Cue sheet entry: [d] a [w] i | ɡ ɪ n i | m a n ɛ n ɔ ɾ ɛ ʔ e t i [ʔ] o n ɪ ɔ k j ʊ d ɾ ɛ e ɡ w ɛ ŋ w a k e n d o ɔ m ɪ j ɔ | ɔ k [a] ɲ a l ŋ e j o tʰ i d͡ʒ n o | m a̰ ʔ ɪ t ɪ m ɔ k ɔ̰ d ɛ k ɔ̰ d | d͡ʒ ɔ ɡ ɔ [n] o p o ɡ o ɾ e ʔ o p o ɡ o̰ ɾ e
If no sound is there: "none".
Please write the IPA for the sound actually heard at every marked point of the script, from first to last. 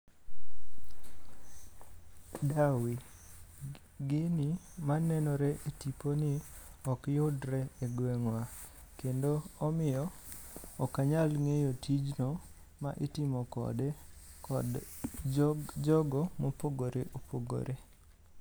d, w, p, a, m

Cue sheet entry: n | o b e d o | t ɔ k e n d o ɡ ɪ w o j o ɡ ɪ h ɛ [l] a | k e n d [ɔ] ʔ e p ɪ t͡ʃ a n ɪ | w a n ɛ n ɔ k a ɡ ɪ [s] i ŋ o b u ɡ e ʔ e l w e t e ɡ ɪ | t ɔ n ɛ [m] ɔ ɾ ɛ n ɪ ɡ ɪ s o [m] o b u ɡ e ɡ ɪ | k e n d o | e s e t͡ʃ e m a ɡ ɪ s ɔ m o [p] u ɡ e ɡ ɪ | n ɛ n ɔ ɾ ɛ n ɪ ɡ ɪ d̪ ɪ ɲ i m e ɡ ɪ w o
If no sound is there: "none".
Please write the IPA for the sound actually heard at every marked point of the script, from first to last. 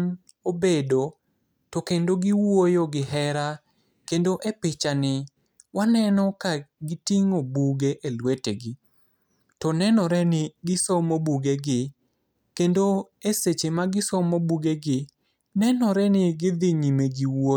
ɾ, o, t, n, m, b

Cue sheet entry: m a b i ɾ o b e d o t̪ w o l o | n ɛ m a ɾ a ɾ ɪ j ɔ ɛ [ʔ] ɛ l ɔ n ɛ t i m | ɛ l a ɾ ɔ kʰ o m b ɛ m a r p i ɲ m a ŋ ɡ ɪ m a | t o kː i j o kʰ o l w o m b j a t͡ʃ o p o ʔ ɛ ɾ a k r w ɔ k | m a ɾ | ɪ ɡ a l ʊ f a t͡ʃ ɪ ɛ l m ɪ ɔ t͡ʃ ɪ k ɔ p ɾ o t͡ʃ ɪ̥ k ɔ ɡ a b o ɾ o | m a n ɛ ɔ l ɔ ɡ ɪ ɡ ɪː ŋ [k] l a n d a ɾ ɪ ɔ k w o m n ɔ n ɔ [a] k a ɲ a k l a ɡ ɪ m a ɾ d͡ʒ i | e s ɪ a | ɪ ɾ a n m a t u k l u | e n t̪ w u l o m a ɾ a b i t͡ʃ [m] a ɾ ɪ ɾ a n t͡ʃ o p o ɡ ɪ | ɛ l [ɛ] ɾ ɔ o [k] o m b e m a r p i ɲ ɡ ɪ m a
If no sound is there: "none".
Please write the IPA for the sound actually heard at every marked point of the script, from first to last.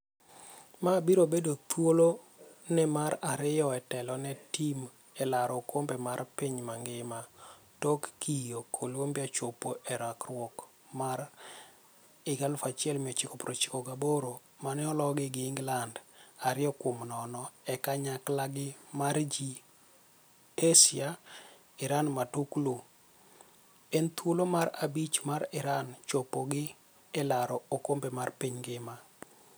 t, ɡ, ɛ, m, a, k

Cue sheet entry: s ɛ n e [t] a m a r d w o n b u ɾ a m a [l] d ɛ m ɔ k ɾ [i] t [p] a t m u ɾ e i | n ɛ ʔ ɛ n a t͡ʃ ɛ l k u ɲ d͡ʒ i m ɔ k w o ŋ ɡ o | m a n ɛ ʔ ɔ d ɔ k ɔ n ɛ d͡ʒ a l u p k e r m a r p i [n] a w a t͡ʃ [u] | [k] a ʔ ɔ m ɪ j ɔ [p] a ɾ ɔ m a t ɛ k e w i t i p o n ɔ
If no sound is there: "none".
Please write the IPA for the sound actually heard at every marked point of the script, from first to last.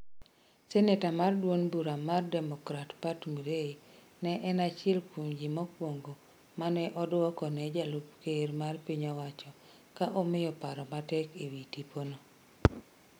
t, r, a, p, ɲ, ɔ, k, p

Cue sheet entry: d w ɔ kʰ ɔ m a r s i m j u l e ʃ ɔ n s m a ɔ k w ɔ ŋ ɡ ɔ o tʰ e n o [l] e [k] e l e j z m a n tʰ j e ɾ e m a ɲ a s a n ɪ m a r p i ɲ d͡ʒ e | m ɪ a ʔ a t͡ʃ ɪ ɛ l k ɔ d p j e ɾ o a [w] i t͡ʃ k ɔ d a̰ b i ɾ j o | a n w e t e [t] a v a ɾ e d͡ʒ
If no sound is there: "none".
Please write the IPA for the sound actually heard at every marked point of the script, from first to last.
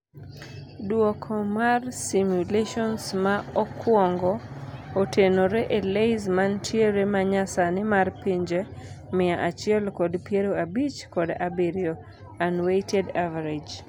ɾ, ʔ, b, d

